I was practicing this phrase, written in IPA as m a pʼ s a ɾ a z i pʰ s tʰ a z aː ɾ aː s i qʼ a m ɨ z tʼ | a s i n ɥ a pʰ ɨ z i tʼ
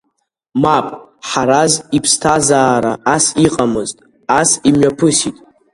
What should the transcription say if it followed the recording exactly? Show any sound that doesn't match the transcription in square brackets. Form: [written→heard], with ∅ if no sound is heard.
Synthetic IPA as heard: m a pʼ [s→ħ] a ɾ a z i pʰ s tʰ a z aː ɾ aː s i qʼ a m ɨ z tʼ | a s i [n→m] ɥ a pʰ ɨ [z→s] i tʼ